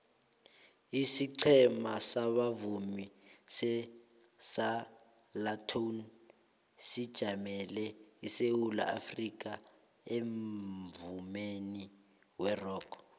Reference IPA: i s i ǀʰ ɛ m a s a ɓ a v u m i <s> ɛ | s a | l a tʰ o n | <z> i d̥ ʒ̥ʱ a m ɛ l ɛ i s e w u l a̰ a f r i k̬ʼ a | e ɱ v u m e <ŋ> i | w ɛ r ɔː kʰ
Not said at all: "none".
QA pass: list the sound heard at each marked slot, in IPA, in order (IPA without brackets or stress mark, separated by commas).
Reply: s, s, n